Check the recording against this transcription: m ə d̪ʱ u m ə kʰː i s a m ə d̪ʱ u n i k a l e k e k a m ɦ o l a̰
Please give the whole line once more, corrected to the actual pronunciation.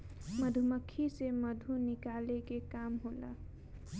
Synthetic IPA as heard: m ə d̪ʱ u m ə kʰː i s e m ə d̪ʱ u n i k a l e k e k a m ɦ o l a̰